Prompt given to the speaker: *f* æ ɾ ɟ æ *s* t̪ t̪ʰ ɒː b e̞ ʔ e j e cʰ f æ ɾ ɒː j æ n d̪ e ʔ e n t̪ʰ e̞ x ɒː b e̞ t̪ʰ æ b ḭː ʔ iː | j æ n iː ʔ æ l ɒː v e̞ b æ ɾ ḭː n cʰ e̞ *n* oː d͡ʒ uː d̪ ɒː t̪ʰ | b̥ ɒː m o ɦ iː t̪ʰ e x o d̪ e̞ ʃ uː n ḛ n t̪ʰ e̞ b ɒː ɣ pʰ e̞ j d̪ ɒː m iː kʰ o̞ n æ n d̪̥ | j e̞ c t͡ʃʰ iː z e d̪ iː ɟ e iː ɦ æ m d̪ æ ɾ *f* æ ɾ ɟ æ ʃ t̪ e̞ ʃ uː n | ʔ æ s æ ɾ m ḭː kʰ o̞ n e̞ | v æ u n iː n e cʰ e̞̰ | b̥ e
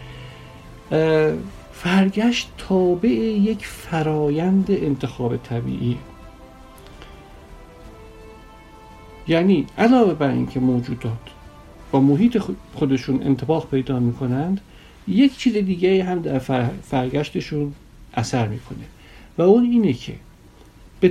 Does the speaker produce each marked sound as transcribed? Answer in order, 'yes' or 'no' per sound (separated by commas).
yes, no, no, yes